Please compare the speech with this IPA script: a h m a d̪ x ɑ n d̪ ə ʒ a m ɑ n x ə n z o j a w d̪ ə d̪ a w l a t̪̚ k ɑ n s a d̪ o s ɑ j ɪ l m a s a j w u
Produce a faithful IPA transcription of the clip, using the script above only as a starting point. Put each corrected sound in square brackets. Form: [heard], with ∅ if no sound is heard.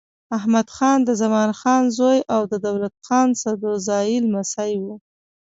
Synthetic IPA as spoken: a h m a d̪ x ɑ n d̪ ə [z] a m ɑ n x [ɑ] n z o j a w d̪ ə d̪ a w l a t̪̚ [x] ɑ n s a d̪ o [z] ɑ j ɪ l m a s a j w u